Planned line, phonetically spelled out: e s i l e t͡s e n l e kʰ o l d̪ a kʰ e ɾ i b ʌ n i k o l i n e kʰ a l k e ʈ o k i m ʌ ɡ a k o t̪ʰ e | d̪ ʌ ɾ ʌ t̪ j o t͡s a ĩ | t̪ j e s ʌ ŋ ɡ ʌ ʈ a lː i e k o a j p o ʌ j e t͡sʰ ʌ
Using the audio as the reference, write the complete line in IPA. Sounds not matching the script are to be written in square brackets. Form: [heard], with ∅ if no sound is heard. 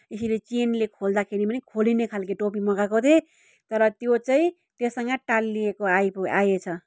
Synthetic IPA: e s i l e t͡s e n l e kʰ o l d̪ a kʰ e ɾ i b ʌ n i [kʰ] o l i n e kʰ a l k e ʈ o [p] i m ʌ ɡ a k o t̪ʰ e | [t̪] ʌ ɾ ʌ t̪ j o t͡s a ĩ | t̪ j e s ʌ ŋ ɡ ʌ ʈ a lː i e k o a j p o [a] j e t͡sʰ ʌ